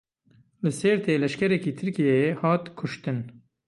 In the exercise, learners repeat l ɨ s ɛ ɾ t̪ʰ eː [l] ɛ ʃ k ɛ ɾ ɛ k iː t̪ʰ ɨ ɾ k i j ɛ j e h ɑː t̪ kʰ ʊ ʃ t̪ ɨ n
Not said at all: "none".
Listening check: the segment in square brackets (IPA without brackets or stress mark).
l